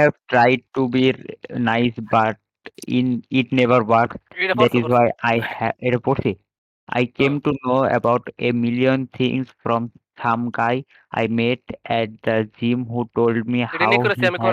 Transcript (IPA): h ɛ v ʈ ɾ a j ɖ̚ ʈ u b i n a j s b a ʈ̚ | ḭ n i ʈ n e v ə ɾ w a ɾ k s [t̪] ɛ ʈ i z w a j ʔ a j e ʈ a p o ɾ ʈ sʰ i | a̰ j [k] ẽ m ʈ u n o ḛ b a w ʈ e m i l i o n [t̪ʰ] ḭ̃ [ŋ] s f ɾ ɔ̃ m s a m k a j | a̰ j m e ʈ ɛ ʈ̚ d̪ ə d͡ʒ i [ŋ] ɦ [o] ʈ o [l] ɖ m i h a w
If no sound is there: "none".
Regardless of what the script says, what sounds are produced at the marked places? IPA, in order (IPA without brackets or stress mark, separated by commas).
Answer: d̪, k, t̪ʰ, ŋ, m, u, l